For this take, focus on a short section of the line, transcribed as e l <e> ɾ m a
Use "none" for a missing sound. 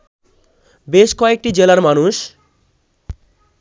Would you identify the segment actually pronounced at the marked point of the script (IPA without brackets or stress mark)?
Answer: a